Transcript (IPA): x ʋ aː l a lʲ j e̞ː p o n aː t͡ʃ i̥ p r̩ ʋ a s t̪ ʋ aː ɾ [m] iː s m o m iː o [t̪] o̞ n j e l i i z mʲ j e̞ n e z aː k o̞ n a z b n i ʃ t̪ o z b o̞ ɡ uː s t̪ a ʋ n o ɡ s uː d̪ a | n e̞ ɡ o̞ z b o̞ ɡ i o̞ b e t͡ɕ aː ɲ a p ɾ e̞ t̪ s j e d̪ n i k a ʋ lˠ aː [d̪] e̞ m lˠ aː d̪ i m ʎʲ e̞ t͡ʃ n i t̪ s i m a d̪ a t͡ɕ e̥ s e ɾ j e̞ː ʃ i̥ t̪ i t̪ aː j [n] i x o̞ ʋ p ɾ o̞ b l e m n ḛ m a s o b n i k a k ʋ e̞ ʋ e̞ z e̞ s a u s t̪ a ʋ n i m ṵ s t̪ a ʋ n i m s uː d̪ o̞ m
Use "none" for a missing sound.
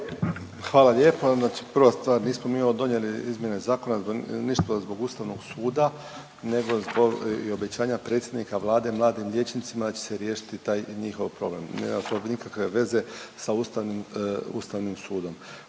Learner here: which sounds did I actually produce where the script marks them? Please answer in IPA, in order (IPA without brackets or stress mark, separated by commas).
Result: n, d̪, d̪, ɲ